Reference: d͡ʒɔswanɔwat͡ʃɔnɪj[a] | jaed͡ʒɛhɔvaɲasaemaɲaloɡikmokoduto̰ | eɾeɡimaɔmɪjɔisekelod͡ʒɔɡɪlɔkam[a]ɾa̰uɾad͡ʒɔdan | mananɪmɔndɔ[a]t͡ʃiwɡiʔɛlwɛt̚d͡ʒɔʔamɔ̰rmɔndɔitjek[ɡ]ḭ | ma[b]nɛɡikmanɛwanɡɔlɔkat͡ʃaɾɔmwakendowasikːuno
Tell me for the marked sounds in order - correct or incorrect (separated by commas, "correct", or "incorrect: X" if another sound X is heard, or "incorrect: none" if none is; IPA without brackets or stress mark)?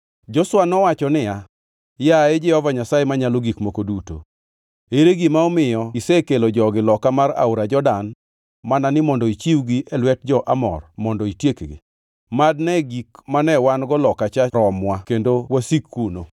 correct, correct, incorrect: i, correct, incorrect: d